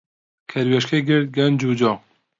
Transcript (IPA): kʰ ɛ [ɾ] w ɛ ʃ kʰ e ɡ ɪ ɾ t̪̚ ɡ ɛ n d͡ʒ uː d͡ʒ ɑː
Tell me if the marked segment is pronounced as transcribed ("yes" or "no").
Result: yes